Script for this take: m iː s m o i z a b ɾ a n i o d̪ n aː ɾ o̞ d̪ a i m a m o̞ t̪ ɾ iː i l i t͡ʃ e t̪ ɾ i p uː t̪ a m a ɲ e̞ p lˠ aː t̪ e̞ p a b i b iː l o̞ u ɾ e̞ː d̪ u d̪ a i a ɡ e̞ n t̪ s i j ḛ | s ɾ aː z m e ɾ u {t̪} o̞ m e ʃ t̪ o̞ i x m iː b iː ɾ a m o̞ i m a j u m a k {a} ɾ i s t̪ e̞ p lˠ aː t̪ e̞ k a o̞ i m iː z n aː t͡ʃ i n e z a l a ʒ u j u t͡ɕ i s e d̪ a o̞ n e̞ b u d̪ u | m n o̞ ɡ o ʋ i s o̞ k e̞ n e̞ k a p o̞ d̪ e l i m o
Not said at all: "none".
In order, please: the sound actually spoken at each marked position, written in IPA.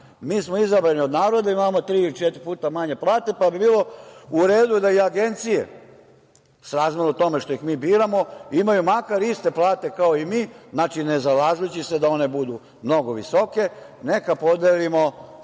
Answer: t̪, a

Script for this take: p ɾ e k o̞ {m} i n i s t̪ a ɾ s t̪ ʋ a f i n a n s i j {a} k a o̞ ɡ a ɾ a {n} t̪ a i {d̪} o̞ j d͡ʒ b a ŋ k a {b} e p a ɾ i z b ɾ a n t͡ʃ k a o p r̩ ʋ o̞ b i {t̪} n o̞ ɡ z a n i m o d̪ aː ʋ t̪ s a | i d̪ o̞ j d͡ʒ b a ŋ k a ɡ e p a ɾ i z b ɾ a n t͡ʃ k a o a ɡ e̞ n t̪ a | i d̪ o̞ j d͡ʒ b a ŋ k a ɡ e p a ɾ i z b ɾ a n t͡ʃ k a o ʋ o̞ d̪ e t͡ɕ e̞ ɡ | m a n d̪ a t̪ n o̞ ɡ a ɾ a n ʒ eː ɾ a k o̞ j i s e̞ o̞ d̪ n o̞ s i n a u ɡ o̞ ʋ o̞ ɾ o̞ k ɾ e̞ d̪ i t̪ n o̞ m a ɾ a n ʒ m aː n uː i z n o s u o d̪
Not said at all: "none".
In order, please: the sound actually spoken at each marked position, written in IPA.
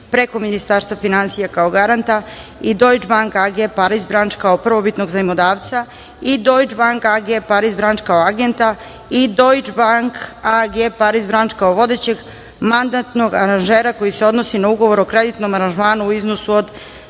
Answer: m, a, n, d̪, ɡ, t̪

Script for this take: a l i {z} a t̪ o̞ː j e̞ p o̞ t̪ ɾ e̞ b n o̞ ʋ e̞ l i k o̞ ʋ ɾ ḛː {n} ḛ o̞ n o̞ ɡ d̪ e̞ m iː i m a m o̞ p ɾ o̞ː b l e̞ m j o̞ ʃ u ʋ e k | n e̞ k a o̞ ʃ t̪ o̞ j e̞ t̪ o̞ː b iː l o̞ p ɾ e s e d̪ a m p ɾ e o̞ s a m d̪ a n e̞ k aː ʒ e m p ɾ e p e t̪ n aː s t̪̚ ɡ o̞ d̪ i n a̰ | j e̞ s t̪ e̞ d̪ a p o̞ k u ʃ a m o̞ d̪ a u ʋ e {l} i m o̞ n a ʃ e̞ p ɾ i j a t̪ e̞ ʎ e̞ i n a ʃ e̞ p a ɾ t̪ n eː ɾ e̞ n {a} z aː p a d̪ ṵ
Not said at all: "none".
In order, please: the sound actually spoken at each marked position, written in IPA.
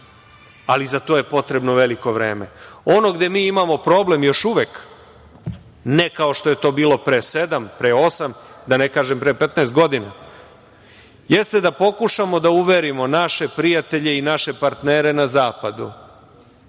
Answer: z, m, ɾ, a

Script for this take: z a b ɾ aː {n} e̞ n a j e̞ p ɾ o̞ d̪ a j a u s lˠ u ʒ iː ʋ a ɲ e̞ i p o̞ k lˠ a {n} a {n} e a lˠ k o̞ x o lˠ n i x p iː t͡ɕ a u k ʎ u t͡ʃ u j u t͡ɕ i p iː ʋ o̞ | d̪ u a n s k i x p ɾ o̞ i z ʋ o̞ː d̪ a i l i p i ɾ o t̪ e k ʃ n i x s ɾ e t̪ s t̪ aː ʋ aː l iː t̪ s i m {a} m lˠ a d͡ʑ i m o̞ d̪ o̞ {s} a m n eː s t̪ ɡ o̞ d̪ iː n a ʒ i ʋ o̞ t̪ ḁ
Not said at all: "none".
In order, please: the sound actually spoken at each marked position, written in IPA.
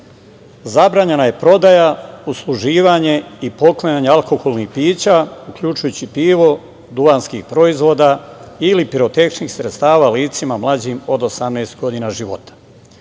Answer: ɲ, ɲ, ɲ, a, s

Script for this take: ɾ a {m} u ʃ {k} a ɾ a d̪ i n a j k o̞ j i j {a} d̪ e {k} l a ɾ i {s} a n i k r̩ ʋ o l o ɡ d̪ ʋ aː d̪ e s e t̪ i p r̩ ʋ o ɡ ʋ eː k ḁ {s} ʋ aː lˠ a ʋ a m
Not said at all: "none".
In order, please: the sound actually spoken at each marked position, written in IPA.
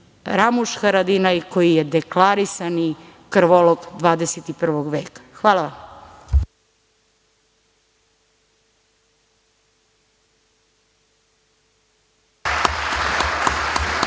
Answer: m, x, e, k, s, x

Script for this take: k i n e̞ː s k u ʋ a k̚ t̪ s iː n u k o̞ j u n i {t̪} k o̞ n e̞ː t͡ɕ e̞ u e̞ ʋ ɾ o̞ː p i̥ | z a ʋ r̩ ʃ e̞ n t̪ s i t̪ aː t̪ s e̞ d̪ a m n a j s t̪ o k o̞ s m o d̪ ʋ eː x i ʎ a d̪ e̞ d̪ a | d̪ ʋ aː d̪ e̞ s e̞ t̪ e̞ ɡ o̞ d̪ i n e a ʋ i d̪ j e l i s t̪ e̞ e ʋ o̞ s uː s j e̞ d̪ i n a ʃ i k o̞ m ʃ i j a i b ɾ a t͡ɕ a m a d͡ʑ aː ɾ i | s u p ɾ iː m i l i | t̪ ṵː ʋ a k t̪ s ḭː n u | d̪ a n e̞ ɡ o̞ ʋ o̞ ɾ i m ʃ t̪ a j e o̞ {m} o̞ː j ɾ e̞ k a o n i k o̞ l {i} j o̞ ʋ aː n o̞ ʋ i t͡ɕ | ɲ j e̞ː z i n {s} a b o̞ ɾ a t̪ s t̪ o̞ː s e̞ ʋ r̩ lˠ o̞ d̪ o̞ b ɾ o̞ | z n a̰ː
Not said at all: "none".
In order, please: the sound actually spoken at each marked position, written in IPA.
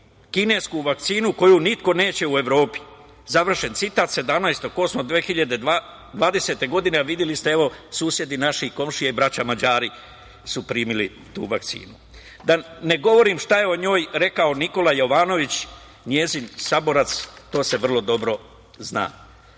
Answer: t̪, ɲ, a, s

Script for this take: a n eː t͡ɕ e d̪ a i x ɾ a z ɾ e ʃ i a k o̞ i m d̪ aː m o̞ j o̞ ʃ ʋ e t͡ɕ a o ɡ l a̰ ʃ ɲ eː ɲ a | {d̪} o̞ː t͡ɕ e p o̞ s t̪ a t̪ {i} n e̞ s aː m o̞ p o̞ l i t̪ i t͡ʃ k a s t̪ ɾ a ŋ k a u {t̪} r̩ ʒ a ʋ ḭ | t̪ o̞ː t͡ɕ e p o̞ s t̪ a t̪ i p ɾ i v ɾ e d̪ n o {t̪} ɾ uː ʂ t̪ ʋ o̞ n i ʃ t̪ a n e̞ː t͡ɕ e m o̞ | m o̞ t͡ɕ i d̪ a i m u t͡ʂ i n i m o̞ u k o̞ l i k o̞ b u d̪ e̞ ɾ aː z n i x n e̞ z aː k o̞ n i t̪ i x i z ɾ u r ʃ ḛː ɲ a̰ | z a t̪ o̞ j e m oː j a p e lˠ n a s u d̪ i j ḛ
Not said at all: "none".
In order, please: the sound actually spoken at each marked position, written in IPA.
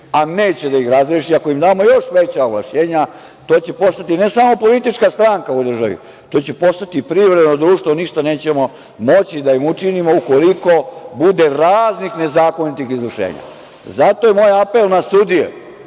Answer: t̪, i, d̪, d̪

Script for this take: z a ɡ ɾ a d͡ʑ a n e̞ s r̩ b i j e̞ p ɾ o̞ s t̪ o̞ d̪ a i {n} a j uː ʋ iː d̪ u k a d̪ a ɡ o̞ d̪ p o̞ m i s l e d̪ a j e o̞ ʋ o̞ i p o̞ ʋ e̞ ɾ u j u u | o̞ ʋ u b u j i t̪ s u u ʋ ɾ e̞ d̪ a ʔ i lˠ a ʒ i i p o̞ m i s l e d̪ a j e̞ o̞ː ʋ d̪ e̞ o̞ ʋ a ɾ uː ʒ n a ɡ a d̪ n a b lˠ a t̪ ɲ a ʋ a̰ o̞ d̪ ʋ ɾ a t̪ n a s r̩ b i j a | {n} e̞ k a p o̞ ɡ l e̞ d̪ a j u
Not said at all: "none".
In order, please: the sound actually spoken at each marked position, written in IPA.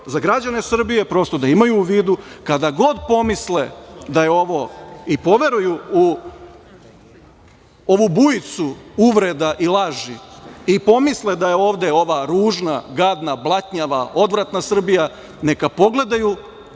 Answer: m, n

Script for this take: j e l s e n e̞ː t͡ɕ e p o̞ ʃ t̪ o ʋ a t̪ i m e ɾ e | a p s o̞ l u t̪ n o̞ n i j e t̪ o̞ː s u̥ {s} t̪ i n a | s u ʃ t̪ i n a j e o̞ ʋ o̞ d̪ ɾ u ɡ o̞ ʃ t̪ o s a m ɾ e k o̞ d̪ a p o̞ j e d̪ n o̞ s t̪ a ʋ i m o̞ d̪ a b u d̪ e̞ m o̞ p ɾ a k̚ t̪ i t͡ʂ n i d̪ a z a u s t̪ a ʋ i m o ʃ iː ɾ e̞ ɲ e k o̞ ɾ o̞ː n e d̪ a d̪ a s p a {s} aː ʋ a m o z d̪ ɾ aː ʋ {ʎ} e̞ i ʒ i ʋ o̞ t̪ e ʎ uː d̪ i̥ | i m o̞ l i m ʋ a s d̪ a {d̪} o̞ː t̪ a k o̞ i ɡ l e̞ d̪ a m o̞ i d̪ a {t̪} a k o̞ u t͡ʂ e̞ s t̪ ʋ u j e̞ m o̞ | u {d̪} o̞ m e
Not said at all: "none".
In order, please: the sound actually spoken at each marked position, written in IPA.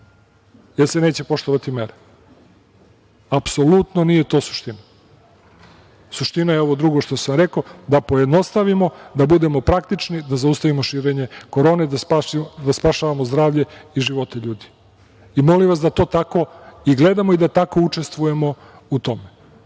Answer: ʃ, ʃ, ʎ, t̪, t̪, t̪

